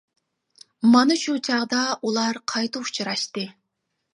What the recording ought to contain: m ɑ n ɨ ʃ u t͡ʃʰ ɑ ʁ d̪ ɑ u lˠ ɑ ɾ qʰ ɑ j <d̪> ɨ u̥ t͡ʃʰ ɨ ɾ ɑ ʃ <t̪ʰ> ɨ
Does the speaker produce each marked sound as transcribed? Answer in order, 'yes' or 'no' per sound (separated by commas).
no, no